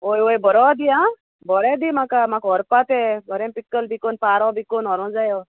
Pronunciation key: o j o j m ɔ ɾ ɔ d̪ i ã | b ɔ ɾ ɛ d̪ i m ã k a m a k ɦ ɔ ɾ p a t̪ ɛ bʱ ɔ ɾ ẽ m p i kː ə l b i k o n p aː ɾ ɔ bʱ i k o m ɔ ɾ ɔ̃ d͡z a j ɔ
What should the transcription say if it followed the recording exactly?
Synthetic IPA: o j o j b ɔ ɾ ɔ d̪ i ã | b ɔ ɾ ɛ d̪ i m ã k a m a k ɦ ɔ ɾ p a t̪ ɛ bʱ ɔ ɾ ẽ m p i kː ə l b i k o n p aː ɾ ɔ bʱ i k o n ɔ ɾ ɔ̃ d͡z a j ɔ